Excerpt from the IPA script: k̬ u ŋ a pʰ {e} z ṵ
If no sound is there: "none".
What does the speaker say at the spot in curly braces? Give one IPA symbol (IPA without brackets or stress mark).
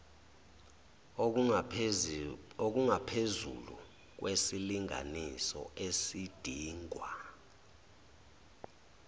e